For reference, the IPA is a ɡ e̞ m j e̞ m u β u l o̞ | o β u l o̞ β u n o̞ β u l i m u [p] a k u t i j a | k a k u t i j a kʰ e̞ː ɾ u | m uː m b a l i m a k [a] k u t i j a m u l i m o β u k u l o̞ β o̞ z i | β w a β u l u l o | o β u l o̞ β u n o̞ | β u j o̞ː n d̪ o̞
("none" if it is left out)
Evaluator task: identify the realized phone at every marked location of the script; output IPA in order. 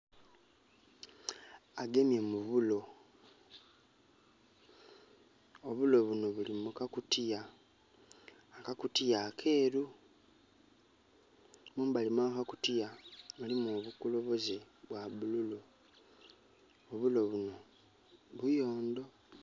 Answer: k, a

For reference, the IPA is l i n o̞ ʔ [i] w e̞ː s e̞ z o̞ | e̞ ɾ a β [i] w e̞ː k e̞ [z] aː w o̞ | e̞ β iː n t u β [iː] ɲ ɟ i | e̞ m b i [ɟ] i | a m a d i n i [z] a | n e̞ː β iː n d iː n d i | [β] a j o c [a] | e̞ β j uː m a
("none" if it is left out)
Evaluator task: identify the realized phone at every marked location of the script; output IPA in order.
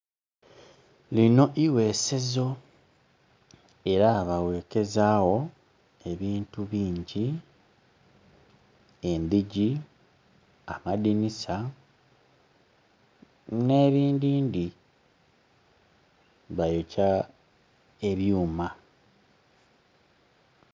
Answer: i, a, z, iː, ɟ, s, β, a

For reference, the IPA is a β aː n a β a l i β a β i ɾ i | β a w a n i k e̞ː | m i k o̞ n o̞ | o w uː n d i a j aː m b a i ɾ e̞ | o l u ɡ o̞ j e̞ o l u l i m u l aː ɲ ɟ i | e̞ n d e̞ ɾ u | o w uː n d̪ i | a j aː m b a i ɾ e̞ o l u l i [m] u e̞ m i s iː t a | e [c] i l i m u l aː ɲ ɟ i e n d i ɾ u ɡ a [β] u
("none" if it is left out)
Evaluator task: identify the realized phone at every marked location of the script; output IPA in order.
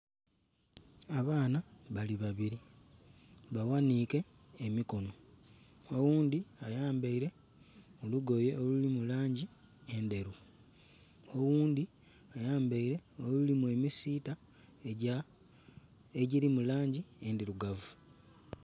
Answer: m, ɟ, v

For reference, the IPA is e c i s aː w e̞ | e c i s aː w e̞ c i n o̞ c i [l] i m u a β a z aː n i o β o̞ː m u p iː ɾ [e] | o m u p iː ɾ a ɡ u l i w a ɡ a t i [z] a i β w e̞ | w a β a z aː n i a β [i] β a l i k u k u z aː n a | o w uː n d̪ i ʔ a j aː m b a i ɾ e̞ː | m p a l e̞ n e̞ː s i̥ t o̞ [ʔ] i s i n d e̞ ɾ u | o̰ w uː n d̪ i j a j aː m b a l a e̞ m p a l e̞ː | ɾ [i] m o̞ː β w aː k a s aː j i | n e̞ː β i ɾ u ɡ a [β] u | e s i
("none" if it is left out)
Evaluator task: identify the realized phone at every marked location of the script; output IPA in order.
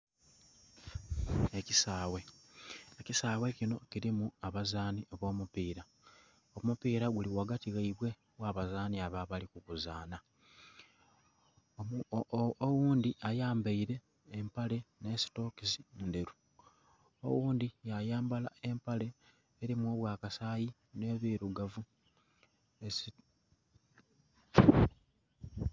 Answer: ɾ, a, ɣ, a, k, i, v

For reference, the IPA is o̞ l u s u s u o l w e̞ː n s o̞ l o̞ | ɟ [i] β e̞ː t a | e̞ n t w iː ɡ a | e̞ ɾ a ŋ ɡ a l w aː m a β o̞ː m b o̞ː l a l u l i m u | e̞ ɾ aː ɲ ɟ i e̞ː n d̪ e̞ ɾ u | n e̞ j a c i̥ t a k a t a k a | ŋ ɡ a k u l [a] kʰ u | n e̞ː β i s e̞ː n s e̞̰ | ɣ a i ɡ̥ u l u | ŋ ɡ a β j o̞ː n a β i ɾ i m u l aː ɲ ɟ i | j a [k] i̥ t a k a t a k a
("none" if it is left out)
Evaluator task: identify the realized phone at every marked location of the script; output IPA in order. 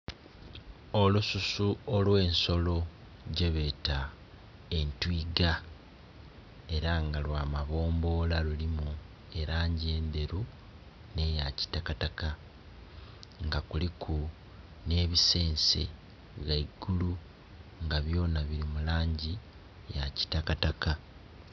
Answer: e, i, c

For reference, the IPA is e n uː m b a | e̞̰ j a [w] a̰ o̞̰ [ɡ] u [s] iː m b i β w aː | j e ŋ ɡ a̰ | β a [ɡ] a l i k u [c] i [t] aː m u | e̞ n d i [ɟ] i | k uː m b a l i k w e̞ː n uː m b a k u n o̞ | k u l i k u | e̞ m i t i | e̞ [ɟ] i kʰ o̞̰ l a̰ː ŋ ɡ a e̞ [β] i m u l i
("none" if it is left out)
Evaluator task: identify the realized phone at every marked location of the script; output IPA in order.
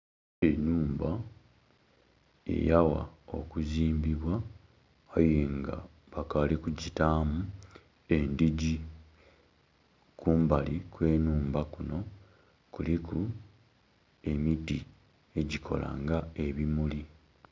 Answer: w, k, z, k, ɟ, t, ɟ, ɟ, β

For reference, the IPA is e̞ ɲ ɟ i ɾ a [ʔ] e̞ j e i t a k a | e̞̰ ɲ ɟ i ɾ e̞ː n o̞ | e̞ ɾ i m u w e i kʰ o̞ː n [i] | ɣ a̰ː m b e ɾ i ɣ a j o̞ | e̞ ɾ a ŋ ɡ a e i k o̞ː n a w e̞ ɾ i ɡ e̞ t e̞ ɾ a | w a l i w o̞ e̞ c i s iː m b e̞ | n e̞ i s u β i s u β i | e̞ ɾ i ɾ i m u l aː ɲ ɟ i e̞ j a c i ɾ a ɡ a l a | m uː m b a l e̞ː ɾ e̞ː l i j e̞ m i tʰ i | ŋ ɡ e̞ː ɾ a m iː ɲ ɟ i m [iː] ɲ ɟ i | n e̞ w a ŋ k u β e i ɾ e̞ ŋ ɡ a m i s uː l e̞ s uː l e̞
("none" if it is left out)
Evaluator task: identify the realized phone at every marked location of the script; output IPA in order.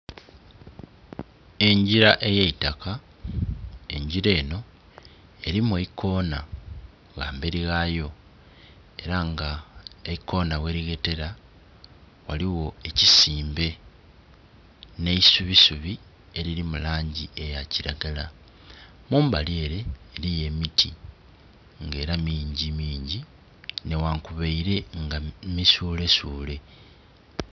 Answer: ʔ, a, iː

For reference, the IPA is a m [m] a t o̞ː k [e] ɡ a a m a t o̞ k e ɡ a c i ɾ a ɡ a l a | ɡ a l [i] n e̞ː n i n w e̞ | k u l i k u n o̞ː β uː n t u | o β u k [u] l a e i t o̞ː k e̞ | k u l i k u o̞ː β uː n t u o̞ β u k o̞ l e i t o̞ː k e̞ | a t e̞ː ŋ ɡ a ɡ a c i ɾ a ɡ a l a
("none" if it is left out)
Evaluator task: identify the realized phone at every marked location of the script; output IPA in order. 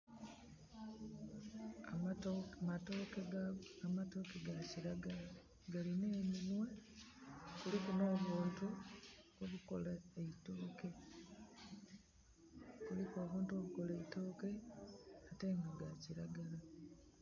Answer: m, e, i, o

